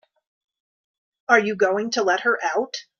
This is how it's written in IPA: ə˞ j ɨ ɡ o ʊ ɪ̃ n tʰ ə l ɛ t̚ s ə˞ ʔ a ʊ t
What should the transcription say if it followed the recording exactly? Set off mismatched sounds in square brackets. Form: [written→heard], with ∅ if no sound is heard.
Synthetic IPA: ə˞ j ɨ ɡ o ʊ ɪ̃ [n→ŋ] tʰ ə l ɛ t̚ [s→h] ə˞ ʔ a ʊ t